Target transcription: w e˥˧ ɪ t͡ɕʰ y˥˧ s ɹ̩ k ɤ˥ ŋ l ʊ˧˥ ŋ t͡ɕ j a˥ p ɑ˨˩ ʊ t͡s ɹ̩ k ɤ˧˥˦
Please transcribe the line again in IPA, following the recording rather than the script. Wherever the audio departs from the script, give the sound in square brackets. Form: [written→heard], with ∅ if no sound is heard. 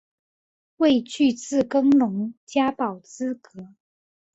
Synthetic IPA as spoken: w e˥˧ ɪ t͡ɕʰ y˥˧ [s→t͡s] ɹ̩ k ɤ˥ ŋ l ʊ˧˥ ŋ t͡ɕ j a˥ p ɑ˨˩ ʊ t͡s ɹ̩ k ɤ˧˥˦